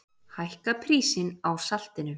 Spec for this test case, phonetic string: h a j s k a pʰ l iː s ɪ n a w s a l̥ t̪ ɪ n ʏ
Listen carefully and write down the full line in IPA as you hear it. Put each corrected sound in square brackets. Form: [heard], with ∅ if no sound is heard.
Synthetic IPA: h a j [h] k a pʰ [ɾ] iː s ɪ n a w s a l̥ t̪ ɪ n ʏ